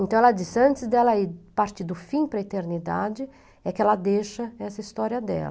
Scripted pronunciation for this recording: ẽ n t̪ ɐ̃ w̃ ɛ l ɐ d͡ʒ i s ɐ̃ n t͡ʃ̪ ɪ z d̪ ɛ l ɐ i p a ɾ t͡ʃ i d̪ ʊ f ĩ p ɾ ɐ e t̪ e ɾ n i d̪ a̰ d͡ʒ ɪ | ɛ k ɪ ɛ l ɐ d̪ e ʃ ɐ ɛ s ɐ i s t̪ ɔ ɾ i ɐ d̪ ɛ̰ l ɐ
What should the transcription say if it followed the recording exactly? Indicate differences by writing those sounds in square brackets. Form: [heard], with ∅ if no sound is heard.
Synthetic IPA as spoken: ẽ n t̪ ɐ̃ w̃ ɛ l ɐ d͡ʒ i s ɐ̃ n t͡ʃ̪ ɪ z d̪ ɛ l ɐ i p a ɾ t͡ʃ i d̪ ʊ f ĩ p ɾ ɐ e t̪ e ɾ n i d̪ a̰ d͡ʒ ɪ | ɛ k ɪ ɛ l ɐ d̪ e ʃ ɐ ɛ s ɐ i s t̪ ɔ ɾ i ɐ d̪ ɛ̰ l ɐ